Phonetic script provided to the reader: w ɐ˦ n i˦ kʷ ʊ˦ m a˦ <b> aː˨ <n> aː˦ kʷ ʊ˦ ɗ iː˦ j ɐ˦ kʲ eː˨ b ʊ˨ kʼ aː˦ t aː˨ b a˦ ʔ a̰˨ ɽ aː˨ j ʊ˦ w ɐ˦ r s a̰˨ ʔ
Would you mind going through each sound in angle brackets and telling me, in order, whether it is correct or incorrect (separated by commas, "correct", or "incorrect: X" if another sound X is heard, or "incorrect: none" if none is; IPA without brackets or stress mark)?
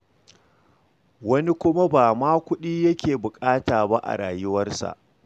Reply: correct, incorrect: m